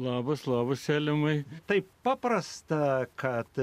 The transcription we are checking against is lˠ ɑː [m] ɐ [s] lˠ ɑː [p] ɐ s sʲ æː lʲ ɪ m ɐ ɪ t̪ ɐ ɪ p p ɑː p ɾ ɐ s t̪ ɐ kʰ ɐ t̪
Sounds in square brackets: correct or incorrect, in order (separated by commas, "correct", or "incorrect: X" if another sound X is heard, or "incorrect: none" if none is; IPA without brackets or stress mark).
incorrect: b, correct, incorrect: b